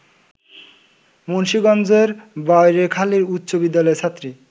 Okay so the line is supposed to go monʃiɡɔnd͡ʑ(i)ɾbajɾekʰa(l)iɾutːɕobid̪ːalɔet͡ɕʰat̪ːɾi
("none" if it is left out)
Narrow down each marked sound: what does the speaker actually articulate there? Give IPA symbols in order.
e, l

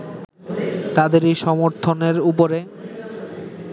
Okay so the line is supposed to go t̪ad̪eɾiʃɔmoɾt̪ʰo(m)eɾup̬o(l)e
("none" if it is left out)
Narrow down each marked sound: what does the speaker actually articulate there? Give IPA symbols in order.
n, ɾ

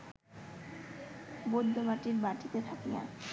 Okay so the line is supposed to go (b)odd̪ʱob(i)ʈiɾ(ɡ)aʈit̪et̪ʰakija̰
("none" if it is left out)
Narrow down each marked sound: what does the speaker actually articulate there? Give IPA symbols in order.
b, a, b

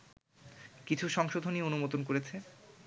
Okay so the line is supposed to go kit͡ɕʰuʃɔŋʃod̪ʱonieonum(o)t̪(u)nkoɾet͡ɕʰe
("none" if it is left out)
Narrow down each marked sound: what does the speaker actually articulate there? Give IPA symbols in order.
o, o

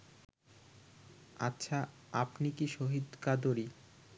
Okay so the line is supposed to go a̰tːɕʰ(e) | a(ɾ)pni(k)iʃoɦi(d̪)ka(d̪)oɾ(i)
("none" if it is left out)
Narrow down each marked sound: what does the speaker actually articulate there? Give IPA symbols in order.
a, none, k, d̪, d̪, i

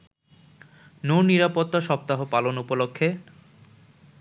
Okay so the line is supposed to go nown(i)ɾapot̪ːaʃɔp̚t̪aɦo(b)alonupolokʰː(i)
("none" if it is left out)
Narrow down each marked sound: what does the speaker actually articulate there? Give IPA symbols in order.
i, p, e

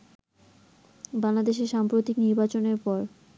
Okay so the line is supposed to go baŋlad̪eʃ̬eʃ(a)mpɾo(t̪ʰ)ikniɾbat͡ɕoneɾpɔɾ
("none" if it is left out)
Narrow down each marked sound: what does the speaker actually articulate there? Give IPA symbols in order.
a, t̪

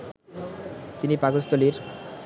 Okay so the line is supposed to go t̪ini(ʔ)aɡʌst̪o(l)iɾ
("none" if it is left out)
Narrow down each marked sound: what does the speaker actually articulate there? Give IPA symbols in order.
p, l

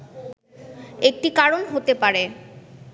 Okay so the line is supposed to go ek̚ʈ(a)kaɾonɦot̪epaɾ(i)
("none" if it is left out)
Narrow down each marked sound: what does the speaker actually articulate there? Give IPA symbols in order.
i, e

